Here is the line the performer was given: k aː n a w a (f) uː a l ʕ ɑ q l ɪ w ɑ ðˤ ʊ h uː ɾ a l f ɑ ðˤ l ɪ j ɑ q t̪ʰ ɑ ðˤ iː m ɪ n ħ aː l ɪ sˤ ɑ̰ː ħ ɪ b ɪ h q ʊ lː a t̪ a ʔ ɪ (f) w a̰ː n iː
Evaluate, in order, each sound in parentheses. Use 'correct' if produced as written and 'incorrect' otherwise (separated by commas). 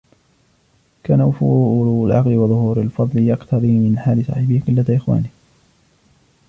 correct, incorrect